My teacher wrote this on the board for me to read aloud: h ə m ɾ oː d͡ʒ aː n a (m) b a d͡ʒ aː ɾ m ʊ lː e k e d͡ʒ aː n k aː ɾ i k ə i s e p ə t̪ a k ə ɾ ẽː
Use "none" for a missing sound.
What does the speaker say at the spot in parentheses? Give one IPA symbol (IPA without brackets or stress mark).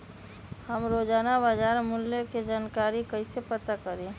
none